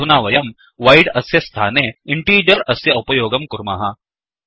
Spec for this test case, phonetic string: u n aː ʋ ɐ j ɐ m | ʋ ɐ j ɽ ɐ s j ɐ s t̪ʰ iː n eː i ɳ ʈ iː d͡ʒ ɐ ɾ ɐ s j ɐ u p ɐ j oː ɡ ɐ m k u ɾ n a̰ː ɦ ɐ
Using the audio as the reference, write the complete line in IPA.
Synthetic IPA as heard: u n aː ʋ ɐ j ɐ m | ʋ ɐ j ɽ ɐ s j ɐ s t̪ʰ aː n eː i ɳ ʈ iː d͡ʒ ɐ ɾ ɐ s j ɐ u p ɐ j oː ɡ ɐ m k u ɾ m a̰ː ɦ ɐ